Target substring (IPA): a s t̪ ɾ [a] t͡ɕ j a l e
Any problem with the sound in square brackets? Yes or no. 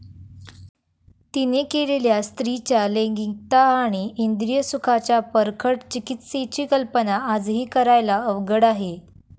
yes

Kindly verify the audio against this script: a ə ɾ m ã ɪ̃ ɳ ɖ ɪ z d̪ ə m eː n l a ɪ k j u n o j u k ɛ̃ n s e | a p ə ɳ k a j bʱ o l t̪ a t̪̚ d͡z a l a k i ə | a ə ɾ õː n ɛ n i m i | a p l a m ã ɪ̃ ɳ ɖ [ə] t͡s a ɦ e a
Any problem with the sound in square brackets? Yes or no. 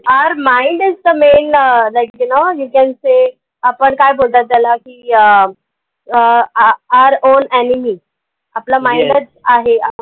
no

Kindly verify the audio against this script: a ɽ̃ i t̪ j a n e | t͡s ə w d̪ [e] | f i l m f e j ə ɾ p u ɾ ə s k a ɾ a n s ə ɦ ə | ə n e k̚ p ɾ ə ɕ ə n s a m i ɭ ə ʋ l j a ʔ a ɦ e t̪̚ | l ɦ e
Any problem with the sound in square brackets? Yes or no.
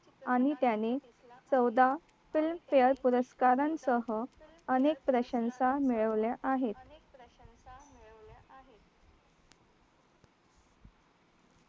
yes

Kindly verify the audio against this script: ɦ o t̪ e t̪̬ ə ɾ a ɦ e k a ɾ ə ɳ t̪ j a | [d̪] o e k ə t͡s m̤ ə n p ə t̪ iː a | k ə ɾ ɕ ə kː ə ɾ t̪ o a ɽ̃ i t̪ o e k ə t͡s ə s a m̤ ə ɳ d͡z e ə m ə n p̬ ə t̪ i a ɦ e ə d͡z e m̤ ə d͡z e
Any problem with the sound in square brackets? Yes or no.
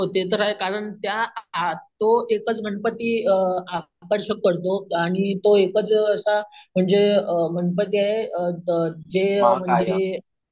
yes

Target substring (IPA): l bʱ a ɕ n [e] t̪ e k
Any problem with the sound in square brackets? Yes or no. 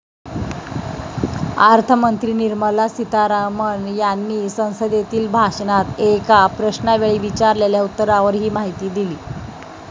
yes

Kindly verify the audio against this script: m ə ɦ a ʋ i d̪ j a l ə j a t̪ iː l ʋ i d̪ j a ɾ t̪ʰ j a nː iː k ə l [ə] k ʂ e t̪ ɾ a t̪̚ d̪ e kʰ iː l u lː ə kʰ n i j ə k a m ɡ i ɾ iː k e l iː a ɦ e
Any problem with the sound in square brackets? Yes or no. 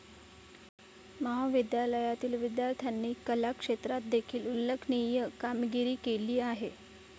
yes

